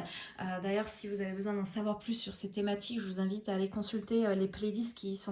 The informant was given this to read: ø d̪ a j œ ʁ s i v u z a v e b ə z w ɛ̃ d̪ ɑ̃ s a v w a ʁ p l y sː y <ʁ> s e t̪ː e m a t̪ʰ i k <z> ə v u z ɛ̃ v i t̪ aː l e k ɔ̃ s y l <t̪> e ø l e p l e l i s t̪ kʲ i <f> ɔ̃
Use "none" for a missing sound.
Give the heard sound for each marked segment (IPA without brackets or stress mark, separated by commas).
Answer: ʁ, ʒ, t̪, s